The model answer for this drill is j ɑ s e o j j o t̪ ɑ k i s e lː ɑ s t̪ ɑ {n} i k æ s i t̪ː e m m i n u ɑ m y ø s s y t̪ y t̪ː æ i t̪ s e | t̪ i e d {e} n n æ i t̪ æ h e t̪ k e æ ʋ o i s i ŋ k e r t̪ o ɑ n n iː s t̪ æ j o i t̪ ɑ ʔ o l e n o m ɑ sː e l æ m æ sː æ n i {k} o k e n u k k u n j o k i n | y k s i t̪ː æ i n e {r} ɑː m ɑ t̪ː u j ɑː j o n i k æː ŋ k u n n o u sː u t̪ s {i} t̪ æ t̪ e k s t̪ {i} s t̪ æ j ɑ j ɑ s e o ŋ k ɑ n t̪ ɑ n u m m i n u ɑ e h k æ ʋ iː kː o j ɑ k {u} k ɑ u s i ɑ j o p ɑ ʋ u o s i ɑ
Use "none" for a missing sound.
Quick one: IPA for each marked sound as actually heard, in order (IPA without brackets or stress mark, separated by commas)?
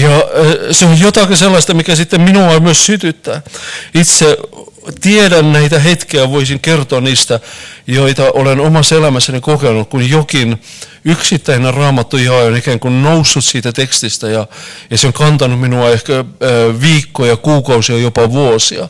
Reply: m, æ, k, r, iː, i, uː